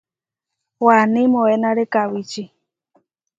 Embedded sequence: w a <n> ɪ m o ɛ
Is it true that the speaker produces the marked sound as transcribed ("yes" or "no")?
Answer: yes